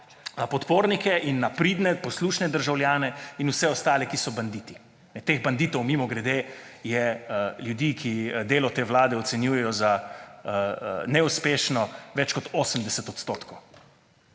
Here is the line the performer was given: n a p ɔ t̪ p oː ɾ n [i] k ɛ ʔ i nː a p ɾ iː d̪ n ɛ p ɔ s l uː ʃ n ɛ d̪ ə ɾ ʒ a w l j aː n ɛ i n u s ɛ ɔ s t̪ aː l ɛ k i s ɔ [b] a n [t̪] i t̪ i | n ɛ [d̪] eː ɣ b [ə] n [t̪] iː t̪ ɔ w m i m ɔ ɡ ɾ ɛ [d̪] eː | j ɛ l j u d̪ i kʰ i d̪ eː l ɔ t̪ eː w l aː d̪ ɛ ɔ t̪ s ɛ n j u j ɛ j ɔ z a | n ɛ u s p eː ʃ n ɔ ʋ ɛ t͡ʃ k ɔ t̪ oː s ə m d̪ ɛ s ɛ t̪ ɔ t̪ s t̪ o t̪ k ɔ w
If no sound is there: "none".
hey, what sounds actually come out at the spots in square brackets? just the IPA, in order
i, b, d̪, t̪, a, d̪, d̪

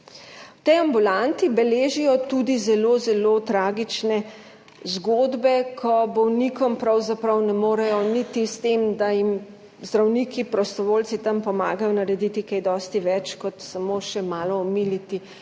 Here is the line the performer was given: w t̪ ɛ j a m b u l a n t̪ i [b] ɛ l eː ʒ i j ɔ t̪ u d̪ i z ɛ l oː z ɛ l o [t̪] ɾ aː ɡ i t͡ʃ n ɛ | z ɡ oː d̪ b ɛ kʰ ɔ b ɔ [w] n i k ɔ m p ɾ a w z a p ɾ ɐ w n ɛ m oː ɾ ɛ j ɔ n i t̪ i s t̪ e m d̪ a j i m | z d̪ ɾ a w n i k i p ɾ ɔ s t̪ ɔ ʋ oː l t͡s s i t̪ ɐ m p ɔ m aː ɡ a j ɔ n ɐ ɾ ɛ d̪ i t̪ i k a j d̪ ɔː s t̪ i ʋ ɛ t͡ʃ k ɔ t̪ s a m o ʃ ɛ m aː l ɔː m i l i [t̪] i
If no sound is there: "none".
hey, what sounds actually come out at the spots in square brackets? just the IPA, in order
b, t̪, w, t̪

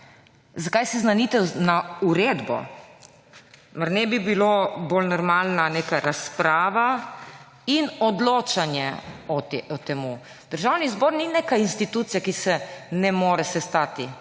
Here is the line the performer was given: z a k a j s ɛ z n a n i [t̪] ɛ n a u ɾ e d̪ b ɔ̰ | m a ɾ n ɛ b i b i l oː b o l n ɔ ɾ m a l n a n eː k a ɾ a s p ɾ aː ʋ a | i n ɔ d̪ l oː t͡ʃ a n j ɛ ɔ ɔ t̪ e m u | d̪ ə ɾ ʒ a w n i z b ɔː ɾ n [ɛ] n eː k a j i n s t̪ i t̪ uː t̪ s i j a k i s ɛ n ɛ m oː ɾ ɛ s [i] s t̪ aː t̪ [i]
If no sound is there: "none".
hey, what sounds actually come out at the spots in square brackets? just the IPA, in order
t̪, i, ɛ, i

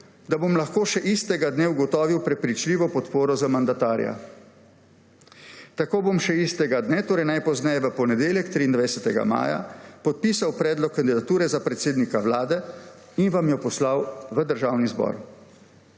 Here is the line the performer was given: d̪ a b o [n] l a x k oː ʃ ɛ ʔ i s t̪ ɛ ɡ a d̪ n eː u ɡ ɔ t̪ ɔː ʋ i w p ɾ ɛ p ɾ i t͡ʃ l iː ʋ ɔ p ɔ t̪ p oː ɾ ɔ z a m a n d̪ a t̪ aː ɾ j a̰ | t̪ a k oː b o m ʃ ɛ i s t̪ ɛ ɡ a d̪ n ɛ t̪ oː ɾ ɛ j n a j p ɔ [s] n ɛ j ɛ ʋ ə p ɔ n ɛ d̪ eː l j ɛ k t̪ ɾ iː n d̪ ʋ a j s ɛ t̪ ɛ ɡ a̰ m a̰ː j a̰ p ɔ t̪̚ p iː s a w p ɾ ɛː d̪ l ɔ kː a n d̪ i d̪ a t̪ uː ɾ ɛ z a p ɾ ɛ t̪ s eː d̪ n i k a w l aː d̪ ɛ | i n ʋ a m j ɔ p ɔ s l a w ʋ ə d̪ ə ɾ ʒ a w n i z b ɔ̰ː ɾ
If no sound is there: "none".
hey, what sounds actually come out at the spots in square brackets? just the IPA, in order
m, z

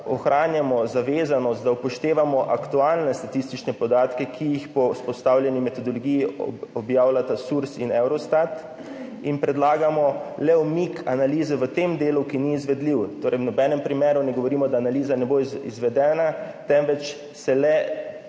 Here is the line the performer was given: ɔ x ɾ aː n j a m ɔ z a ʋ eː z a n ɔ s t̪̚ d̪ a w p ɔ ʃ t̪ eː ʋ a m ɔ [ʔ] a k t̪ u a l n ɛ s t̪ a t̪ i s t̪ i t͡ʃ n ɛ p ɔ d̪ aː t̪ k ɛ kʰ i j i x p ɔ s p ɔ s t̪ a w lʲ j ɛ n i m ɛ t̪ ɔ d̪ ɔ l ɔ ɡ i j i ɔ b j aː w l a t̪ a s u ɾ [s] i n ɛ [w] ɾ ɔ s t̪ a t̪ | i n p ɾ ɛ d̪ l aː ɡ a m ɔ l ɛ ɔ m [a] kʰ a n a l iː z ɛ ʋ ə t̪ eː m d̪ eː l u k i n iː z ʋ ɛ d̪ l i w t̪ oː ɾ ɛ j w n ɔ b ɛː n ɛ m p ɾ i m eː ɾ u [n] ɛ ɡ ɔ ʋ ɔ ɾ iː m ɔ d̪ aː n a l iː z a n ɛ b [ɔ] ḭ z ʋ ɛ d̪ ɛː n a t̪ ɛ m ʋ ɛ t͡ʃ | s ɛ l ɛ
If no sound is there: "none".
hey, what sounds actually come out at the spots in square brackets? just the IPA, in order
ʔ, s, w, i, n, o

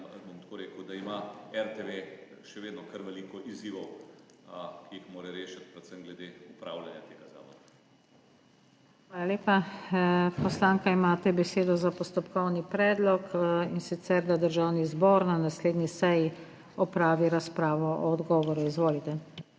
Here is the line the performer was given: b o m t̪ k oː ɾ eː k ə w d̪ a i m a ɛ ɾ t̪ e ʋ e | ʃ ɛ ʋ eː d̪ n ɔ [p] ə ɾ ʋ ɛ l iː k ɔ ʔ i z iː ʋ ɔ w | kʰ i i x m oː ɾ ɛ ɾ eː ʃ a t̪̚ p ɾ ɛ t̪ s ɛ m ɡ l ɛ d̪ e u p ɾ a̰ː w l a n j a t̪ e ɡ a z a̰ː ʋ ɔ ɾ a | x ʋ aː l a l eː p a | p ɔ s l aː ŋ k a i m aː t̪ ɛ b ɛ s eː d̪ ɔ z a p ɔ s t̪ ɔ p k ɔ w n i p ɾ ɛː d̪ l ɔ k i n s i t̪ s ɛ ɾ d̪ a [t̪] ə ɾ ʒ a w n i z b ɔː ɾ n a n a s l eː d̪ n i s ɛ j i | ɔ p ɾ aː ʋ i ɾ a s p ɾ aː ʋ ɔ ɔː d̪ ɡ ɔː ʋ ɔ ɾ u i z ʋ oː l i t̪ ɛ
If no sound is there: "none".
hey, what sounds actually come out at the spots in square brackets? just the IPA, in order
k, d̪

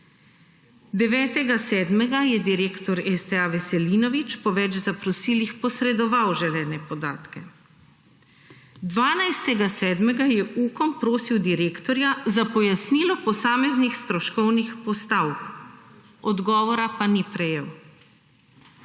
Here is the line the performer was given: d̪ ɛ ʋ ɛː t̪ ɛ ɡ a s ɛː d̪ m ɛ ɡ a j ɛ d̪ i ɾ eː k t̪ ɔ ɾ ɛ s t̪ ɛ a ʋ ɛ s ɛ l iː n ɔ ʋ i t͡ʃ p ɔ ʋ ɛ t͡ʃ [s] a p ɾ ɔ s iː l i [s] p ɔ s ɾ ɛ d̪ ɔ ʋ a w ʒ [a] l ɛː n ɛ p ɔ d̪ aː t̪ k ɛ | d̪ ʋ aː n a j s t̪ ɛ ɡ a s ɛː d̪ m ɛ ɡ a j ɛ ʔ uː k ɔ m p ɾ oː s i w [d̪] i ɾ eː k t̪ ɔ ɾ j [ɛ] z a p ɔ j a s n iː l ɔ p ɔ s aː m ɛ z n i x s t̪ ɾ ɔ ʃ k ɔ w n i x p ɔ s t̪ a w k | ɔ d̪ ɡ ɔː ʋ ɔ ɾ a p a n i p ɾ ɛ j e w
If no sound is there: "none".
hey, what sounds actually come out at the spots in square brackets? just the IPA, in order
z, x, ɛ, d̪, a

